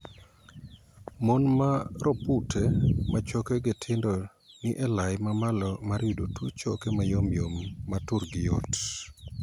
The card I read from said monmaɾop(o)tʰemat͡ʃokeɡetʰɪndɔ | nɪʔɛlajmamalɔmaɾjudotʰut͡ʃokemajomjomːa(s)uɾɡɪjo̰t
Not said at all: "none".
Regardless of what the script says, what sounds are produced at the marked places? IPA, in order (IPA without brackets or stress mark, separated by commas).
u, t